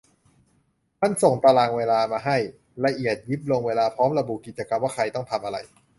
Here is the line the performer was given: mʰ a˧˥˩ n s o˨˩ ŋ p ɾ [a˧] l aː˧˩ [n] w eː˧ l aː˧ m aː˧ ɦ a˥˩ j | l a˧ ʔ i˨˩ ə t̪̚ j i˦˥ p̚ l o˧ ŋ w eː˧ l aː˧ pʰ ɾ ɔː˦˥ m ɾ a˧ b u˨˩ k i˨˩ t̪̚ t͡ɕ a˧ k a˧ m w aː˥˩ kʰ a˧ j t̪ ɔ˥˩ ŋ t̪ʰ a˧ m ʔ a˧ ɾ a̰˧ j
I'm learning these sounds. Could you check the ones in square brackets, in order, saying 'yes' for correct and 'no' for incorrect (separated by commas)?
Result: yes, no